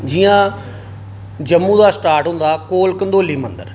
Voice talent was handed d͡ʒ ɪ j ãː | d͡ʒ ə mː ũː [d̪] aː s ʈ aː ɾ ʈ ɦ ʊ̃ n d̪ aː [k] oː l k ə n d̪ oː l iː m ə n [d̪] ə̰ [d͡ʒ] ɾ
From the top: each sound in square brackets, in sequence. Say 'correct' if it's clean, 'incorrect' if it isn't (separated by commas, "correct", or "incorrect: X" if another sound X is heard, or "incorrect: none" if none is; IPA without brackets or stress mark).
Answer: correct, correct, correct, incorrect: none